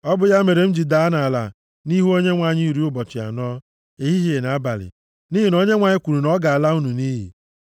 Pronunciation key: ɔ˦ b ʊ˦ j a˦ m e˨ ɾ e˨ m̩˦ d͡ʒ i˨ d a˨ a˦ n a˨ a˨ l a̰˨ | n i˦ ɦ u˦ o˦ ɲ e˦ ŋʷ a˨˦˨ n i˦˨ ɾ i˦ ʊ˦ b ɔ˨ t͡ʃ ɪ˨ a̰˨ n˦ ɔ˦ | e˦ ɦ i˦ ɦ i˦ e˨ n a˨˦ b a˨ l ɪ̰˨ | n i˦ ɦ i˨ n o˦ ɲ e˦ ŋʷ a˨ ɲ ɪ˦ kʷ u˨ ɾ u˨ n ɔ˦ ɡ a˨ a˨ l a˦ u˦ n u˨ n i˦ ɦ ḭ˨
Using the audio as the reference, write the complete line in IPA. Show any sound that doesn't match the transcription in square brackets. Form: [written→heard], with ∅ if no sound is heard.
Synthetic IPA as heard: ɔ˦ b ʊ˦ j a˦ m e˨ ɾ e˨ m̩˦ d͡ʒ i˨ d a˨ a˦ n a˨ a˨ l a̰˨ | n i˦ ɦ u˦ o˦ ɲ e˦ ŋʷ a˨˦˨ [n→ɲ] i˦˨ ɾ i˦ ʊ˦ b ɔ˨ t͡ʃ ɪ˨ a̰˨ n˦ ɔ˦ | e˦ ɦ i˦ ɦ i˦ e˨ n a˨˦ b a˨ l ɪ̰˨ | n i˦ ɦ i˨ n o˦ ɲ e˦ ŋʷ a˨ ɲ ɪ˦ kʷ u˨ ɾ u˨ n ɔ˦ ɡ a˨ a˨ l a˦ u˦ n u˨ n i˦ ɦ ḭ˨